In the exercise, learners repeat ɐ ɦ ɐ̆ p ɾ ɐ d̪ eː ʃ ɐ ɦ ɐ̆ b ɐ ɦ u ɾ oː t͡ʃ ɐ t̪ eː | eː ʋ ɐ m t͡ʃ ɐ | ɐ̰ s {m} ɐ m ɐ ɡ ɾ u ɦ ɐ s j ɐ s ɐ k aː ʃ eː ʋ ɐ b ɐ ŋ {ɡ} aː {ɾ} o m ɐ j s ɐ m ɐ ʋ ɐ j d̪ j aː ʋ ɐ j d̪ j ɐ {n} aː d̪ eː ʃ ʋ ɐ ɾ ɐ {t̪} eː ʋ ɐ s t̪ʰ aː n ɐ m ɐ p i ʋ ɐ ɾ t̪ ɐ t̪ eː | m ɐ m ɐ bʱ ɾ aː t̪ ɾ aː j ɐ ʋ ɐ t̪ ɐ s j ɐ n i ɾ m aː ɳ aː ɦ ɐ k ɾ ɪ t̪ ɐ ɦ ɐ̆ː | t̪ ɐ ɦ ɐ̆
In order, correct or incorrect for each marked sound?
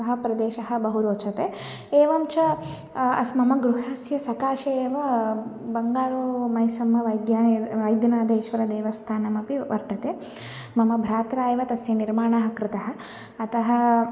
correct, correct, correct, correct, incorrect: d̪

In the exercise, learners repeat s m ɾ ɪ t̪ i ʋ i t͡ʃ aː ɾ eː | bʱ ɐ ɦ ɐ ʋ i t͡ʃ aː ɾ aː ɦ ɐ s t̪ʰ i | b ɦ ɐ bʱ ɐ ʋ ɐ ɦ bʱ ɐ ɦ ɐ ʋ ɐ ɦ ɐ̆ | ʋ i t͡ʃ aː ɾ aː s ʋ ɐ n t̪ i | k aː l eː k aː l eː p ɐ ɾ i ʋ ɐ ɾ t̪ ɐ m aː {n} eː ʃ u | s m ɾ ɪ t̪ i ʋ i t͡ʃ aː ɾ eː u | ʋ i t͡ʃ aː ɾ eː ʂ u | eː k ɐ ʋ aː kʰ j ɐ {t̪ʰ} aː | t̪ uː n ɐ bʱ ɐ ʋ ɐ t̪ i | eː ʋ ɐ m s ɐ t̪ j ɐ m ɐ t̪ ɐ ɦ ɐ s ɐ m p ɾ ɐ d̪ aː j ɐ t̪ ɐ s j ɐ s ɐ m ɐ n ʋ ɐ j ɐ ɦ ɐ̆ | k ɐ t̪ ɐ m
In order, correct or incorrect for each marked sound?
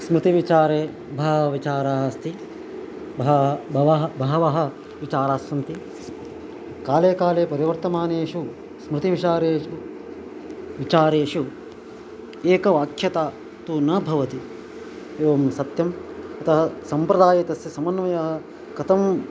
correct, incorrect: t̪

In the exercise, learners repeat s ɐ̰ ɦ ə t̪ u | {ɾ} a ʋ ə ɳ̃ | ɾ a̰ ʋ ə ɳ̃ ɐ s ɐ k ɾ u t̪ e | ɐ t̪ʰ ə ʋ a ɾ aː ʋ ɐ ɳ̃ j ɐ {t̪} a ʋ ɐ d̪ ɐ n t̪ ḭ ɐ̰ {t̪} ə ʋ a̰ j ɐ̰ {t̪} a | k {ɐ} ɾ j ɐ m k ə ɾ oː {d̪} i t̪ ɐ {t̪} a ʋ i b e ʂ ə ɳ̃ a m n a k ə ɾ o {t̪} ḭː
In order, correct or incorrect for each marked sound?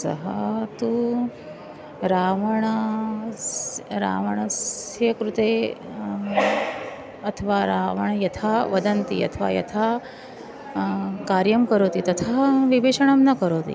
correct, incorrect: t̪ʰ, incorrect: t̪ʰ, incorrect: t̪ʰ, incorrect: a, incorrect: t̪, incorrect: t̪ʰ, correct

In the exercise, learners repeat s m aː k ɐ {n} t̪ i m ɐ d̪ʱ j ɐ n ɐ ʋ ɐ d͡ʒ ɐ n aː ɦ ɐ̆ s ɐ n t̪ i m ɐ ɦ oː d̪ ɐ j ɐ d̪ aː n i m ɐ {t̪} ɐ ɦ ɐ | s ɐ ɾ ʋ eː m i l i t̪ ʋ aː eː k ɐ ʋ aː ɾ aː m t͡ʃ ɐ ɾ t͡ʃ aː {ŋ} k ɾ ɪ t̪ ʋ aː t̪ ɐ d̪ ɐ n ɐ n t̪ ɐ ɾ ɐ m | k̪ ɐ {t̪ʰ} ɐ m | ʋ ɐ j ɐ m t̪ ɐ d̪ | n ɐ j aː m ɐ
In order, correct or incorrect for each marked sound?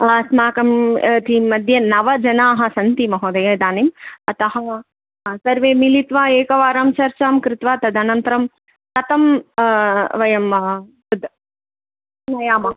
incorrect: m, correct, incorrect: m, incorrect: t̪

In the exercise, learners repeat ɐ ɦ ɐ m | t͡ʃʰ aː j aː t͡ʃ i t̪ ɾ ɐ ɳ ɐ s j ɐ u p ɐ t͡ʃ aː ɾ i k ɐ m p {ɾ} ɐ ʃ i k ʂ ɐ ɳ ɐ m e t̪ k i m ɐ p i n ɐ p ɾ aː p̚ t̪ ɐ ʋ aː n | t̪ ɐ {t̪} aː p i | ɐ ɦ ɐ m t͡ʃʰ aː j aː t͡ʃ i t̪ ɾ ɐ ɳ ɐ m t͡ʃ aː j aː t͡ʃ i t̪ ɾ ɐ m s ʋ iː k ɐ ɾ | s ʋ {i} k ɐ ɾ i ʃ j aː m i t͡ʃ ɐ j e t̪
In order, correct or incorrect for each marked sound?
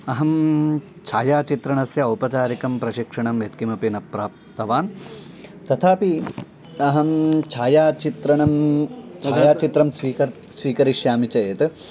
correct, incorrect: t̪ʰ, incorrect: iː

